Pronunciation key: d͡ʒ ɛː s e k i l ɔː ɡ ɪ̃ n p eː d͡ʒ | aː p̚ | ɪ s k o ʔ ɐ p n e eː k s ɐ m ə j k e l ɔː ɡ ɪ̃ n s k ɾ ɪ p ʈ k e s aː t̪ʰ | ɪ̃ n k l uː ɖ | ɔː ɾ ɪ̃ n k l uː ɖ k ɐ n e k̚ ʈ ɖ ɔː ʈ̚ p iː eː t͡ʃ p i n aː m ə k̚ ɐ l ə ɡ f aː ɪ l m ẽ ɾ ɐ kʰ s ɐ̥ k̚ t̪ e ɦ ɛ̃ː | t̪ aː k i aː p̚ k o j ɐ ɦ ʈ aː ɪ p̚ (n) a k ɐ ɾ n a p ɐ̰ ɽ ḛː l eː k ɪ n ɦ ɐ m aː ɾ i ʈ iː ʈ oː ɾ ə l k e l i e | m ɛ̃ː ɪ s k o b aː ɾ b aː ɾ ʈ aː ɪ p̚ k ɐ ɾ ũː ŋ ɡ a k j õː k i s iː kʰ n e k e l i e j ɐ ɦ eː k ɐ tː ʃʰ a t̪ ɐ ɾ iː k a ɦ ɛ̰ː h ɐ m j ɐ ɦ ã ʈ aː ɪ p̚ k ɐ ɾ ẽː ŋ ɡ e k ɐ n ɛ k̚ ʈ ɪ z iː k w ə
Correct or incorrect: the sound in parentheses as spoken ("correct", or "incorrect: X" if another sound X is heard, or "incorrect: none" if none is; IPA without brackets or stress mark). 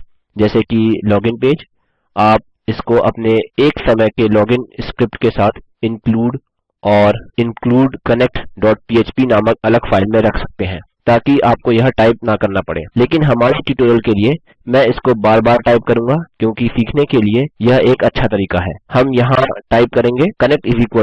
correct